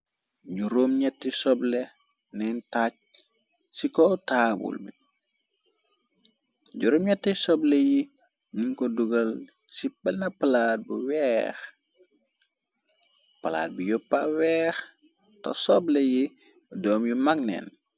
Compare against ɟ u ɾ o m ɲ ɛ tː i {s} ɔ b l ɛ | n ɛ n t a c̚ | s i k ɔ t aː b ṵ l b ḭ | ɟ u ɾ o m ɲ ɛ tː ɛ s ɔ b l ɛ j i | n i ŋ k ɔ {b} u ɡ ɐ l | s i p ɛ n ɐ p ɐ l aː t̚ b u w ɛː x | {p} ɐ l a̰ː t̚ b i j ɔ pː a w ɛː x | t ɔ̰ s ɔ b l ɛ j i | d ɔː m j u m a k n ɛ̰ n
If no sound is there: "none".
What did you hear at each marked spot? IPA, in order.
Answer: s, d, p

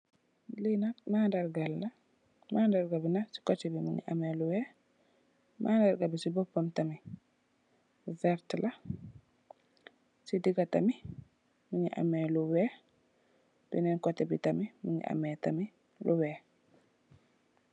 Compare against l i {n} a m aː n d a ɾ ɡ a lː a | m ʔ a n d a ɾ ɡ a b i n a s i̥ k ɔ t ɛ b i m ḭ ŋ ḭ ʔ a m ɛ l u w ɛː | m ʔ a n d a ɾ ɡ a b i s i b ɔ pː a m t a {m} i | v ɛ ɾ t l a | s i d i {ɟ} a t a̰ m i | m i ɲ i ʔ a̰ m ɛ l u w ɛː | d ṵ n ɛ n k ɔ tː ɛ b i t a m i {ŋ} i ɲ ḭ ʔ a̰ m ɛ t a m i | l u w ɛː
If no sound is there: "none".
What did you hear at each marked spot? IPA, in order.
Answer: n, m, ɡ, m

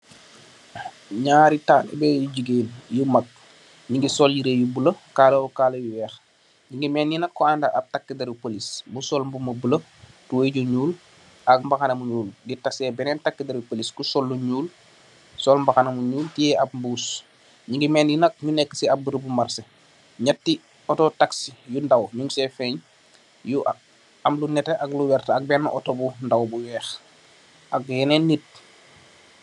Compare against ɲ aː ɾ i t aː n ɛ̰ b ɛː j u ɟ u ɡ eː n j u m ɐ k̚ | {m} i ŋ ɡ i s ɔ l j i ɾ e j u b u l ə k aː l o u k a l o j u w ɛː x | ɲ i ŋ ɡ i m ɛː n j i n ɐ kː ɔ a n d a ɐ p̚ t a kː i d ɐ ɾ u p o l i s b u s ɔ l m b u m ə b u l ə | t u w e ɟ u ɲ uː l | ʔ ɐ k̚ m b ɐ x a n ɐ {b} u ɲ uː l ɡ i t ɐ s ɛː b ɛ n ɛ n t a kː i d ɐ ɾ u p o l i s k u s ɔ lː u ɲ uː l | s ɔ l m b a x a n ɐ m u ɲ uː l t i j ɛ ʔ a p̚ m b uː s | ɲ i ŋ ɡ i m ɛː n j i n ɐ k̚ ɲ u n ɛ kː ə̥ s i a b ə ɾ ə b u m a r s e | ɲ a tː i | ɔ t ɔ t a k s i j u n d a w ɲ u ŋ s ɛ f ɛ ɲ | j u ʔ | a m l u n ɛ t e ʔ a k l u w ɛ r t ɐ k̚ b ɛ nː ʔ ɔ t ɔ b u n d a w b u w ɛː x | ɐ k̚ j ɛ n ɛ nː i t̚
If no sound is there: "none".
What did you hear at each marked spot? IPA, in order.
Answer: ɲ, m

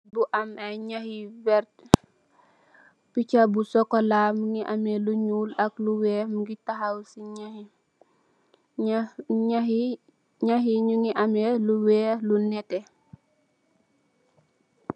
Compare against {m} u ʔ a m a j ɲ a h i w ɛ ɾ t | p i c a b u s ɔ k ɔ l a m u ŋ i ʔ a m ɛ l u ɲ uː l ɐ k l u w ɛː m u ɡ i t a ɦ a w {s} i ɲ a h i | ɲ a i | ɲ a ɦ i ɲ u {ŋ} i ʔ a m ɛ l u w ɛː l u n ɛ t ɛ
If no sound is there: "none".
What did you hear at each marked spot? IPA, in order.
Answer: b, s, ŋ

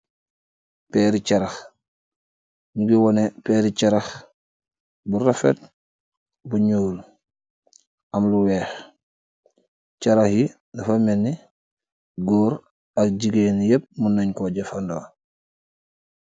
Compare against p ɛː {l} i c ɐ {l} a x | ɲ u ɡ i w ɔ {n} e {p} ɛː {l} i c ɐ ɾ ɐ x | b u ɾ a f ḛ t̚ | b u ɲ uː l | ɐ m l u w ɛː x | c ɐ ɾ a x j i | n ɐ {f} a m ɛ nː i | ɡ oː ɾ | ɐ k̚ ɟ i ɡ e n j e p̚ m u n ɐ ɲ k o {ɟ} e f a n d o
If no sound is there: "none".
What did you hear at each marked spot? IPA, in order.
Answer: ɾ, ɾ, n, p, ɾ, f, ɟ

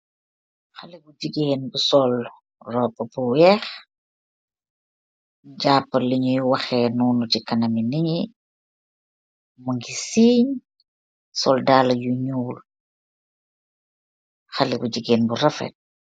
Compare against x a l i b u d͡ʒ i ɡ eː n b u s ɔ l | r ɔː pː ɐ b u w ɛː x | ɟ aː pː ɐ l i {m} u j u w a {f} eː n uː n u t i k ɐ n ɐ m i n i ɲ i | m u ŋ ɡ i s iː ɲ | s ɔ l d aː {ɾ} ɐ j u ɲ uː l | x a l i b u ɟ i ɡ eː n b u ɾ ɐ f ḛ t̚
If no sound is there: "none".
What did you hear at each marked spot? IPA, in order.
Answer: ɲ, x, l

